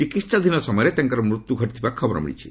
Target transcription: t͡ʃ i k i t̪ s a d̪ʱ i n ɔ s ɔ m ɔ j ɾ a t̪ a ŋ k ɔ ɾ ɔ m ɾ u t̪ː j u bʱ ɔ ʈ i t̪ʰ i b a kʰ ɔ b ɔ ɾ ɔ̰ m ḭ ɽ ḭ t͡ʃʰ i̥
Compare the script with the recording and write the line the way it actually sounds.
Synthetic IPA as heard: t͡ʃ i k i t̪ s a d̪ʱ i n ɔ s ɔ m ɔ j ɾ e t̪ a ŋ k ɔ ɾ ɔ m ɾ u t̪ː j u ɡʱ ɔ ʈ i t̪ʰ i b a kʰ ɔ b ɔ ɾ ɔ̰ m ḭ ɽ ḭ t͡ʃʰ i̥